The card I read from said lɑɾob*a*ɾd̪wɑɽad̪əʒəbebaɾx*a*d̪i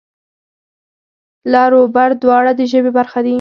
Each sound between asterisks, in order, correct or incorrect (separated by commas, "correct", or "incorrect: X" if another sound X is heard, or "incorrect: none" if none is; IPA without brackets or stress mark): correct, correct